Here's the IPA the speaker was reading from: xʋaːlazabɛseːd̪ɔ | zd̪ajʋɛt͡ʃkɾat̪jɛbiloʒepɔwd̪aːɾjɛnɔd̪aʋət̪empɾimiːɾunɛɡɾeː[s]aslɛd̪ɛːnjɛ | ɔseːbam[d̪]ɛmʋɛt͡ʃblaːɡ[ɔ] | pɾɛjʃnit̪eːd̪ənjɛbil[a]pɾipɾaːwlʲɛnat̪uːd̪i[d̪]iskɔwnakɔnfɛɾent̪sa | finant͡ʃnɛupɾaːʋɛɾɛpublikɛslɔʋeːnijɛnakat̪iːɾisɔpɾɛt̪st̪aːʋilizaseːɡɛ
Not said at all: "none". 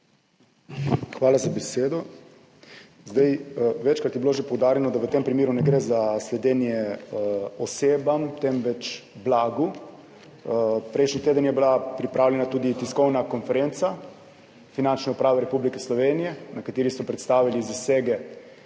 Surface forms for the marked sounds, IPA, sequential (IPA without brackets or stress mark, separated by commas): z, t̪, u, a, t̪